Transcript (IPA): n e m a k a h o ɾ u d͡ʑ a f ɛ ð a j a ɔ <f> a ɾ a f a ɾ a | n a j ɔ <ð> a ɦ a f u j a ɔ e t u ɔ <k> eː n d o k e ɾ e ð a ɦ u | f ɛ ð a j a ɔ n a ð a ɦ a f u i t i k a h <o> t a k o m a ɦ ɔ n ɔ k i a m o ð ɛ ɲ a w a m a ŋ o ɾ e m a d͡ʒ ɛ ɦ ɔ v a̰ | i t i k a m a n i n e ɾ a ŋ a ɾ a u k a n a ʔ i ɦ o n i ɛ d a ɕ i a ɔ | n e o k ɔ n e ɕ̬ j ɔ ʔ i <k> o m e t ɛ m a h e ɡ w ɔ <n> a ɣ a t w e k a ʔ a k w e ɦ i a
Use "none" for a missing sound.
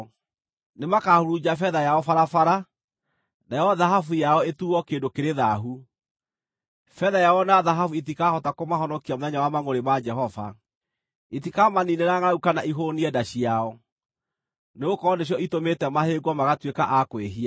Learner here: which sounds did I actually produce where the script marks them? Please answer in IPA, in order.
f, ð, k, ɔ, t, m

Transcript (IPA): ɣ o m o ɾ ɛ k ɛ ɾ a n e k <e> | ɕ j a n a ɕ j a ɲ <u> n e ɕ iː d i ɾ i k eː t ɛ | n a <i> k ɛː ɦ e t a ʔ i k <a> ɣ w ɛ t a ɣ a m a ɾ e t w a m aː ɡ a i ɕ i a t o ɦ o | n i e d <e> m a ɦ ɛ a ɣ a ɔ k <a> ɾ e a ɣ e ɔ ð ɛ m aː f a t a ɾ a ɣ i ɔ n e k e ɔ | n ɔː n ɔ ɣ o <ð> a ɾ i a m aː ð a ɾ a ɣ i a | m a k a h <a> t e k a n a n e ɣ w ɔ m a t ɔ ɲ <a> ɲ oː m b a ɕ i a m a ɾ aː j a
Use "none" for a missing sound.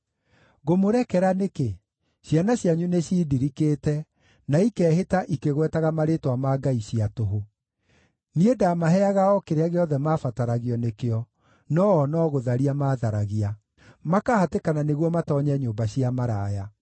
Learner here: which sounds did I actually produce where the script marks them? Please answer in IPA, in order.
e, u, i, e, a, e, ð, a, ɛ

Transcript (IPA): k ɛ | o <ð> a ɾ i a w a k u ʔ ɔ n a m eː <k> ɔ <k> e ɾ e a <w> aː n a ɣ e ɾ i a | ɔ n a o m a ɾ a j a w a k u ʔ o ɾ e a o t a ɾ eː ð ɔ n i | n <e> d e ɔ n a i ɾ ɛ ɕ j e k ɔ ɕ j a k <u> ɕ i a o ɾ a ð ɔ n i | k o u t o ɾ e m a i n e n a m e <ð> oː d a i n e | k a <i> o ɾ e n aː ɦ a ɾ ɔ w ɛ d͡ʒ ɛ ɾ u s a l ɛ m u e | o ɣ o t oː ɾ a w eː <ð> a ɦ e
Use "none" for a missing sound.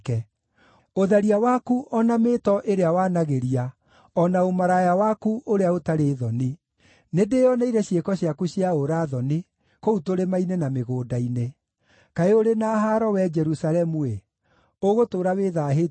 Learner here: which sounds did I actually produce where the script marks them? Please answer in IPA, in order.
ð, t, ʔ, w, e, u, ɣ, e, ð

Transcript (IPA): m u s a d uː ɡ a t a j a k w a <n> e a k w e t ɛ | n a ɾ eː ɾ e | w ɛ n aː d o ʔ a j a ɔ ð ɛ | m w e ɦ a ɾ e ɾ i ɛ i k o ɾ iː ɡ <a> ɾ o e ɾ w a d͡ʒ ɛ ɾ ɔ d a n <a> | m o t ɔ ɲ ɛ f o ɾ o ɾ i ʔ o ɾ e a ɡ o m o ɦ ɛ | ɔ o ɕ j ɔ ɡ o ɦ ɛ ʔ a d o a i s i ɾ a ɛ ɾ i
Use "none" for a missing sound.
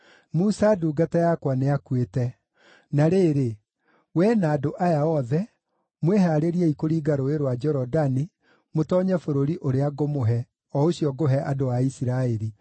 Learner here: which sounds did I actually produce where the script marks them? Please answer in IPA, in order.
n, a, i

